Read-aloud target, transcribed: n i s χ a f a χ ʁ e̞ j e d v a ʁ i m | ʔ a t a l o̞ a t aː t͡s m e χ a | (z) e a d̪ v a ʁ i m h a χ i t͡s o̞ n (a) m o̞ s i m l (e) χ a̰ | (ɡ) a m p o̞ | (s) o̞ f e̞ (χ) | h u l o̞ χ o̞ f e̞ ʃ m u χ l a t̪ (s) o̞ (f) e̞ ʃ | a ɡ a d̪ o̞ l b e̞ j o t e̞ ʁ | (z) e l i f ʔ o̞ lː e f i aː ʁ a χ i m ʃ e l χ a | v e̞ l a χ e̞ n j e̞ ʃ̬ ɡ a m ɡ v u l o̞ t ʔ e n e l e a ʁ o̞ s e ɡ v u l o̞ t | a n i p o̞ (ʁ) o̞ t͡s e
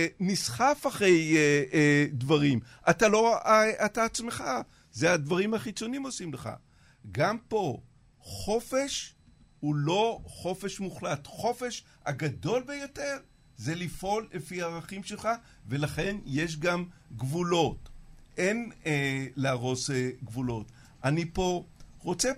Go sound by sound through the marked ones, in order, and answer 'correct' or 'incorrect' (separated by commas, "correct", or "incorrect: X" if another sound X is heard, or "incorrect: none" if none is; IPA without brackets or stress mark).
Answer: correct, incorrect: i, correct, correct, incorrect: χ, incorrect: ʃ, incorrect: χ, correct, correct, correct